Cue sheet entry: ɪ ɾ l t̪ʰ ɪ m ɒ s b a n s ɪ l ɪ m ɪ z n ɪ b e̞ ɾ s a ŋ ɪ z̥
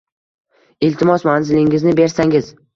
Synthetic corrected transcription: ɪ l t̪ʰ ɪ m ɒ s m a n z ɪ l ɪ ŋ ɪ z n ɪ b e̞ ɾ s a ŋ ɪ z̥